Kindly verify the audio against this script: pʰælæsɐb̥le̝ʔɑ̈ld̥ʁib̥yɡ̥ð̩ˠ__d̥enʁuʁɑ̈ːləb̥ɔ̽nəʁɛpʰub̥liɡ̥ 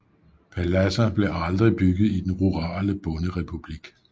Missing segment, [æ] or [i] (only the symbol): i